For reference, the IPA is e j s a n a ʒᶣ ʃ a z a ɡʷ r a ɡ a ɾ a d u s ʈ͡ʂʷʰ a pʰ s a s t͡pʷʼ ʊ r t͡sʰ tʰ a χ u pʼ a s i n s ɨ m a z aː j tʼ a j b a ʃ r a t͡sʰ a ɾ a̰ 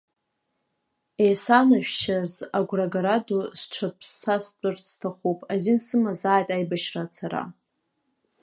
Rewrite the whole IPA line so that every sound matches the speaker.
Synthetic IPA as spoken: e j s a n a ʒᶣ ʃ a z a ɡʷ r a ɡ a ɾ a d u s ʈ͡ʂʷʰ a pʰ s a s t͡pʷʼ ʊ r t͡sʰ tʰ a χ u pʼ a z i n s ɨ m a z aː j tʼ a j b a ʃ r a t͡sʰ a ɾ a̰